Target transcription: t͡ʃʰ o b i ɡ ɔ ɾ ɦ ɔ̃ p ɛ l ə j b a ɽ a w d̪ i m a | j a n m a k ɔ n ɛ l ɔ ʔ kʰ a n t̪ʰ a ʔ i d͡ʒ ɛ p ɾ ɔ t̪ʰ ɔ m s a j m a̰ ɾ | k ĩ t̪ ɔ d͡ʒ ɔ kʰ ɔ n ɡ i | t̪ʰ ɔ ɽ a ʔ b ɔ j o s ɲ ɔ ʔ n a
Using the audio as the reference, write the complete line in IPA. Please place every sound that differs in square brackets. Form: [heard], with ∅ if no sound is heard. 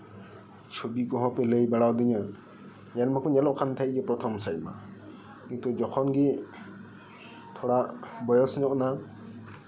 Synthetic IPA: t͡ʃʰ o b i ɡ ɔ [∅] ɦ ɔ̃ p ɛ l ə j b a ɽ a w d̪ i [ɲ] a | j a n m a k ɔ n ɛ l ɔ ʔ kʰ a n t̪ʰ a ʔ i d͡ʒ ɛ p ɾ ɔ t̪ʰ ɔ m s a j m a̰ [∅] | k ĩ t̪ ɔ d͡ʒ ɔ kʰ ɔ n ɡ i | t̪ʰ ɔ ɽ a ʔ b ɔ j [ɔ] s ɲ ɔ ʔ n a

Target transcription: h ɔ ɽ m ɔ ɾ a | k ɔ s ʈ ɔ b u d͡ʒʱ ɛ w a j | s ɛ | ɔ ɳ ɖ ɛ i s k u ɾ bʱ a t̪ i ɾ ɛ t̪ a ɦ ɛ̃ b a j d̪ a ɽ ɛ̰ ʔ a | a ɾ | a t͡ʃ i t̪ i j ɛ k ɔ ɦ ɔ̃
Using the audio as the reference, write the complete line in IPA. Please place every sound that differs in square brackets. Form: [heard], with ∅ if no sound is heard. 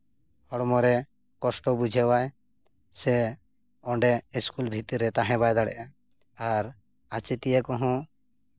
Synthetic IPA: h ɔ ɽ m ɔ ɾ [ɛ] | k ɔ s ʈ ɔ b u d͡ʒʱ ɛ w a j | s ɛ | ɔ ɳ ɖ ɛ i s k u [l] bʱ [i] t̪ i ɾ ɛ t̪ a ɦ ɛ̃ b a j d̪ a ɽ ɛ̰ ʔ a | a ɾ | a t͡ʃ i t̪ i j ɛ k ɔ ɦ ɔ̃

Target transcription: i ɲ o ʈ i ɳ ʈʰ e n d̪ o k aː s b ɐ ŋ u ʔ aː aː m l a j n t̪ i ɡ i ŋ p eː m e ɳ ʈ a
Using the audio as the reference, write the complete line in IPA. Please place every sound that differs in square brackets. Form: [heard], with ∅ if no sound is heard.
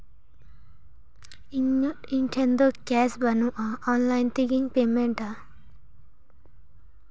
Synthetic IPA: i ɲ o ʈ i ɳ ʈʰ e n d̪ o k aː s b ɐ [n] u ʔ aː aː [n] l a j n t̪ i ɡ i ŋ p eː m e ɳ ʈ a

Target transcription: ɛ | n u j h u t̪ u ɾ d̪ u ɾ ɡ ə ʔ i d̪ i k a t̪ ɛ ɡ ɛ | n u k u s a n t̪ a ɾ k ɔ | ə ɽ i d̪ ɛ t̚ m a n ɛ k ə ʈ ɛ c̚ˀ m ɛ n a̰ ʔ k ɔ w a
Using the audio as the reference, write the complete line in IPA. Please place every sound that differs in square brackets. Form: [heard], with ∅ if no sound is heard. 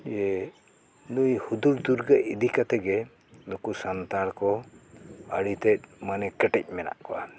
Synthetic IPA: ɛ | n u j h u [d̪] u ɾ d̪ u ɾ ɡ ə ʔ i d̪ i k a t̪ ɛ ɡ ɛ | n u k u s a n t̪ a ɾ k ɔ | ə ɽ i [t̪] ɛ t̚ m a n ɛ k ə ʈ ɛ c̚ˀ m ɛ n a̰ ʔ k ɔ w a

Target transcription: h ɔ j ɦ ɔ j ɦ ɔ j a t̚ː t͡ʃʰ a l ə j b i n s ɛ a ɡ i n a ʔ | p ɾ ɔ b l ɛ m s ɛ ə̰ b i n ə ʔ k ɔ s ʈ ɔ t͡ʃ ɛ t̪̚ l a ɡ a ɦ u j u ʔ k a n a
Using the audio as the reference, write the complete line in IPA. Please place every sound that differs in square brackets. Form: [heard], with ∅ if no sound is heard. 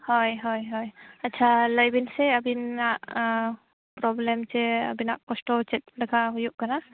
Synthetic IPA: h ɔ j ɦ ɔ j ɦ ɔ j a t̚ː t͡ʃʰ a l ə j b i n s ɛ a [b] i n a ʔ | p ɾ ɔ b l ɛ m s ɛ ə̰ b i n [a] ʔ k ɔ s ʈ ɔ t͡ʃ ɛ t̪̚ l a ɡ a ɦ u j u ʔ k a n a

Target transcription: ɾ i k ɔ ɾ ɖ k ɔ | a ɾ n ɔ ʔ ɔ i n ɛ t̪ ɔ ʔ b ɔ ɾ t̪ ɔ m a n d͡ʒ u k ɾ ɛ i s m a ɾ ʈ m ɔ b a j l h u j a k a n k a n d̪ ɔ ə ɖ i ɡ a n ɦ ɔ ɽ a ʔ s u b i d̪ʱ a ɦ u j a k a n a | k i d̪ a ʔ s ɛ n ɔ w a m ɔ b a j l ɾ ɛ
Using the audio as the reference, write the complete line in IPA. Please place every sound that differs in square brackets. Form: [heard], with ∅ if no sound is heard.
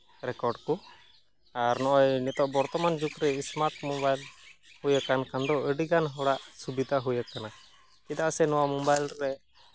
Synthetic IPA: ɾ [ɛ] k ɔ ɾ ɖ k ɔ | a ɾ n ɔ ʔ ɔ [j] n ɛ t̪ ɔ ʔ b ɔ ɾ t̪ ɔ m a n d͡ʒ u k ɾ ɛ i s m a ɾ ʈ m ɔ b a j l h u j a k a n k a n d̪ ɔ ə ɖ i ɡ a n ɦ ɔ ɽ a ʔ s u b i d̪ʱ a ɦ u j a k a n a | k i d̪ a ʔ s ɛ n ɔ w a m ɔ b a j l ɾ ɛ

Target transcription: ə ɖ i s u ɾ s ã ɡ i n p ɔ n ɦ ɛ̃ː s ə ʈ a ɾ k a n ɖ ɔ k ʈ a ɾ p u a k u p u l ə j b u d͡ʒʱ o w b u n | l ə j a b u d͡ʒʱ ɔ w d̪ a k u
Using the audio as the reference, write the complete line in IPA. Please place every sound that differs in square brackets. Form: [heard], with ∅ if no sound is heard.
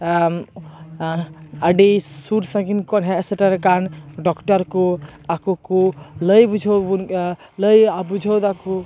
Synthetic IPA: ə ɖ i s u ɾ s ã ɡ i n [k] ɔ n ɦ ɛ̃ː s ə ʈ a ɾ k a n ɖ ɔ k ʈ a ɾ [k] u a k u [k] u l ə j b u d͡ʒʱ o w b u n | l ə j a b u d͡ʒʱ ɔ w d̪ a k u

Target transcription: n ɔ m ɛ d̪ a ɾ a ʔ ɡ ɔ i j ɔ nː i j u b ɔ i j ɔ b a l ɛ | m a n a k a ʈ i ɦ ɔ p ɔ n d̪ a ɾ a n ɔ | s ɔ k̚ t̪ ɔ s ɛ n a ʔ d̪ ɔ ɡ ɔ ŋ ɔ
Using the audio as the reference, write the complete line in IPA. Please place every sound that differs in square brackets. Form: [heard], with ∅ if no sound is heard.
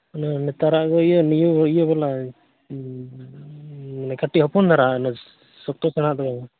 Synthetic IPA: n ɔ [n] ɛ [t̪] a ɾ a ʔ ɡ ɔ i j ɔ [n] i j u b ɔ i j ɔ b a l [a] | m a n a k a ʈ i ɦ ɔ p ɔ n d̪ a ɾ a n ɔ | s ɔ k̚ t̪ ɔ s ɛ n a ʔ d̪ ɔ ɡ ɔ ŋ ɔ

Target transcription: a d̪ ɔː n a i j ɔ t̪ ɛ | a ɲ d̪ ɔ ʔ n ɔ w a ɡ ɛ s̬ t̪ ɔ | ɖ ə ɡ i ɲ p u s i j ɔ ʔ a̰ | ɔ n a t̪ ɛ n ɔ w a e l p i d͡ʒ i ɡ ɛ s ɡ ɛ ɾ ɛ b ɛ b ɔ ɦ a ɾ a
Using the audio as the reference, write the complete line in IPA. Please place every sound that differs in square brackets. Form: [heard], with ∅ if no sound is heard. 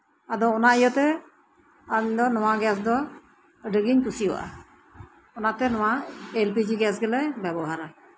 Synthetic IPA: a d̪ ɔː n a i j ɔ t̪ ɛ | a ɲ d̪ ɔ [∅] n ɔ w a ɡ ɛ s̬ [d̪] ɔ | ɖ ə ɡ i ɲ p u s i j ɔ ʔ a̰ | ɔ n a t̪ ɛ n ɔ w a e l p i d͡ʒ i ɡ ɛ s ɡ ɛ [l] ɛ b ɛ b ɔ ɦ a ɾ a

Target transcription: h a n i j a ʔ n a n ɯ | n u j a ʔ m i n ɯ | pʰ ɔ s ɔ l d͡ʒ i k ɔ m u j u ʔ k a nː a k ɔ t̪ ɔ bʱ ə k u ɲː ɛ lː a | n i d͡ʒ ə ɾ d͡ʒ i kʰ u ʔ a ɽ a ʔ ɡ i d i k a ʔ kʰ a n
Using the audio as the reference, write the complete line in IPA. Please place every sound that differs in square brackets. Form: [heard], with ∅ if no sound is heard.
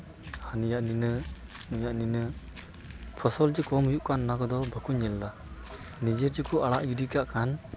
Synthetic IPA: h a n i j a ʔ n [i] n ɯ | n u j a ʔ [n] i n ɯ | pʰ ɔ s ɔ l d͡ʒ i k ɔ m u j u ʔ k a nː a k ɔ [d̪] ɔ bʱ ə k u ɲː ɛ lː a | n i d͡ʒ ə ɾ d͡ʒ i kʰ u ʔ a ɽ a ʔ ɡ i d i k a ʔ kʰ a n

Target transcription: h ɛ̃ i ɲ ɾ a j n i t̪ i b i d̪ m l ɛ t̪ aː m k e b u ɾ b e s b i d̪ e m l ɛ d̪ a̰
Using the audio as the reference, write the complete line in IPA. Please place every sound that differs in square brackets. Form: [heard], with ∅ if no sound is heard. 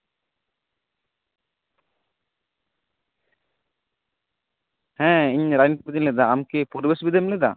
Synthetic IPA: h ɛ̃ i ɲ ɾ a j n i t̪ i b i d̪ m l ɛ [d̪] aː m k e [p] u ɾ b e s b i d̪ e m l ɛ d̪ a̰

